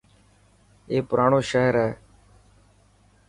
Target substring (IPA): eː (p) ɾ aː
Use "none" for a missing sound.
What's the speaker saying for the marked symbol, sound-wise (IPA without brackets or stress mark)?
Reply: p